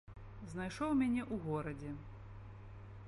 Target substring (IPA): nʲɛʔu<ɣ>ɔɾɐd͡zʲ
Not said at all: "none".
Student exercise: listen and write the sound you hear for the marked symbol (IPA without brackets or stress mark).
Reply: ɣ